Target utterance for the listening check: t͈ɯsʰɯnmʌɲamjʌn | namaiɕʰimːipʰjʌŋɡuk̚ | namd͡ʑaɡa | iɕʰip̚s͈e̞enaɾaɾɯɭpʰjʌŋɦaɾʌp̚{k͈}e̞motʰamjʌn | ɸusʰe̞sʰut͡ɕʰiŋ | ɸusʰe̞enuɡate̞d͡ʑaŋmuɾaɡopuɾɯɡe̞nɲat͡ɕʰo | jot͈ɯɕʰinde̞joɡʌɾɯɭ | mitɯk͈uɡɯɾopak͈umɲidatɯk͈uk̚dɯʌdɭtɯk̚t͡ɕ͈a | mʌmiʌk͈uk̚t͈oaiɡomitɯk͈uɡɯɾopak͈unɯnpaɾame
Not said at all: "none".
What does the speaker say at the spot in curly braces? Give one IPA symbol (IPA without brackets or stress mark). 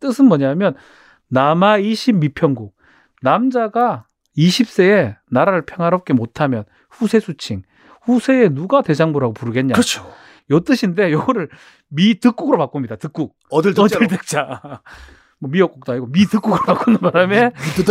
k͈